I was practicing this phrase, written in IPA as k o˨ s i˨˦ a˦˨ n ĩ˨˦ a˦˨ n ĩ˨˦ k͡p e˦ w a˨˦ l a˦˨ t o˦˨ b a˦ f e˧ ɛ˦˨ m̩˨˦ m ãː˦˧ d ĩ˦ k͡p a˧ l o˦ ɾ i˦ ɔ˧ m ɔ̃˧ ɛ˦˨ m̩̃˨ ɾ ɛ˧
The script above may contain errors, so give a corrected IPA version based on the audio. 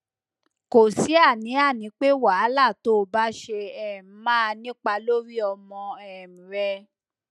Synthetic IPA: k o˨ s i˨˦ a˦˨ n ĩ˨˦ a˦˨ n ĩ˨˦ k͡p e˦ w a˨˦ l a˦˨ t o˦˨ b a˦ ʃ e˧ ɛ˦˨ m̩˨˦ m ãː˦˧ n ĩ˦ k͡p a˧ l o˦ ɾ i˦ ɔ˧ m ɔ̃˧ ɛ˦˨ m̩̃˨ ɾ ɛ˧